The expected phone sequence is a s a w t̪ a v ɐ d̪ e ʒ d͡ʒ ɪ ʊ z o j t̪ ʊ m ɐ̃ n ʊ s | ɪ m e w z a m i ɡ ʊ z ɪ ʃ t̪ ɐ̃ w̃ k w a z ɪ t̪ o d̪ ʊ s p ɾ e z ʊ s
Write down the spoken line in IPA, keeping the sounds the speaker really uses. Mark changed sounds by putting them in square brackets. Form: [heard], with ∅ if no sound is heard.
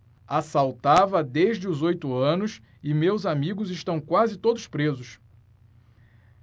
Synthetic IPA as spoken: a s a w t̪ a v ɐ d̪ e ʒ d͡ʒ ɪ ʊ z o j t̪ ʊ [∅] ɐ̃ n ʊ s | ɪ m e w z a m i ɡ ʊ z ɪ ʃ t̪ ɐ̃ w̃ k w a z ɪ t̪ o d̪ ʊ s p ɾ e z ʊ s